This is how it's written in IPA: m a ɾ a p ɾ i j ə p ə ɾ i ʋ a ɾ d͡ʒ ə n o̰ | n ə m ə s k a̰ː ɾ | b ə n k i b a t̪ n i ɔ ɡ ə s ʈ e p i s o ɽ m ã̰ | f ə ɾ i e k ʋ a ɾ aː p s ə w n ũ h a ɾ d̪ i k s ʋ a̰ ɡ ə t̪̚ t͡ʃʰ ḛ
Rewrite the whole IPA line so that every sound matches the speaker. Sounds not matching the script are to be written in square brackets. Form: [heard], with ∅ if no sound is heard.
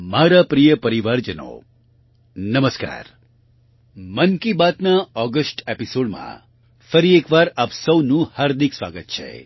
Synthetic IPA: m a ɾ a p ɾ i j ə p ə ɾ i ʋ a ɾ d͡ʒ ə n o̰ | n ə m ə s k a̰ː ɾ | [m] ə n k i b a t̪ n [a] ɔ ɡ ə s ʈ e p i s o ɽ m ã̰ | f ə ɾ i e k ʋ a ɾ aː p s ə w n ũ h a ɾ d̪ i k s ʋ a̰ ɡ ə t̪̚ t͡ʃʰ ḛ